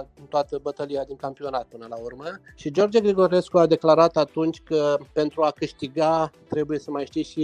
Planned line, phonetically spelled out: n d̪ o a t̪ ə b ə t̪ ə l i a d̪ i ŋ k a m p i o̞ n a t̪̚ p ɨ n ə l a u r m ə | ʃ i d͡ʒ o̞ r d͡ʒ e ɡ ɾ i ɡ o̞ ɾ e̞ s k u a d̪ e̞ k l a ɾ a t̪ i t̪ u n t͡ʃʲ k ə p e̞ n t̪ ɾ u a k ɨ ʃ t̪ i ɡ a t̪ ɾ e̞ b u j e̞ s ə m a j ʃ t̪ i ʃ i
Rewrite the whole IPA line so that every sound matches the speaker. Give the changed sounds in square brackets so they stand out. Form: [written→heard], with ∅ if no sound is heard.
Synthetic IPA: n [d̪→t̪] o a t̪ ə b ə t̪ ə l i a d̪ i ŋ k a m p i o̞ n a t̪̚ p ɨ n ə l a u r m ə | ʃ i d͡ʒ o̞ r d͡ʒ e ɡ ɾ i ɡ o̞ ɾ e̞ s k u a d̪ e̞ k l a ɾ a t̪ [i→a] t̪ u n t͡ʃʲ k ə p e̞ n t̪ ɾ u a k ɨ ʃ t̪ i ɡ a t̪ ɾ e̞ b u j e̞ s ə m a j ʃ t̪ i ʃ i